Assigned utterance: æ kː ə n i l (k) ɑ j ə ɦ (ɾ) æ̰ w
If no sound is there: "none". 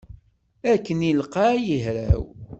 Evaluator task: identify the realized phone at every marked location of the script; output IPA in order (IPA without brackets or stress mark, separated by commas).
q, ɾ